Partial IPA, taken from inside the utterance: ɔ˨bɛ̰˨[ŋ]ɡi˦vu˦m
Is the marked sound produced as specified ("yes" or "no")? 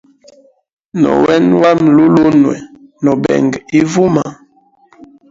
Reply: yes